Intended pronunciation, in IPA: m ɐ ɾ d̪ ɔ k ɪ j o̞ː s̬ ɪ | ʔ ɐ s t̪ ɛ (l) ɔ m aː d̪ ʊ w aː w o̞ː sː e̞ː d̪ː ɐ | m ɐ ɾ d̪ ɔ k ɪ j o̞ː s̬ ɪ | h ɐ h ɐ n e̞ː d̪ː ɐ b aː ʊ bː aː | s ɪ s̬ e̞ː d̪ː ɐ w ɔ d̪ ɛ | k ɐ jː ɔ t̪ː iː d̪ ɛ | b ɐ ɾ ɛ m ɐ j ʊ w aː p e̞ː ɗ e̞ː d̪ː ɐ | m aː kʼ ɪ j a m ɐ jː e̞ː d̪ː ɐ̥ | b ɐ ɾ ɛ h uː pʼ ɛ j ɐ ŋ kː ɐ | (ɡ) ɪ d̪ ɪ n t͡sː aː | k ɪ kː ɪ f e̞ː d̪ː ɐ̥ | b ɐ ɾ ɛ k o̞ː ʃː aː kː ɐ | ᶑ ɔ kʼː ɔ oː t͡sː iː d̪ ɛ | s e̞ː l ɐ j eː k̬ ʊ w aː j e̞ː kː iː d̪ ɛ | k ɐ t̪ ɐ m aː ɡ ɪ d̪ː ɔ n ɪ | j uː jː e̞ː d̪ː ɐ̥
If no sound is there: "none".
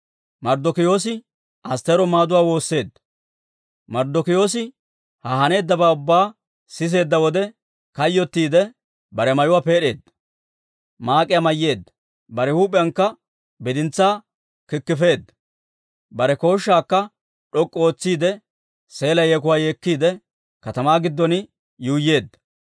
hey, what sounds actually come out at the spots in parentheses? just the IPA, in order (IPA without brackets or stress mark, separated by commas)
ɾ, b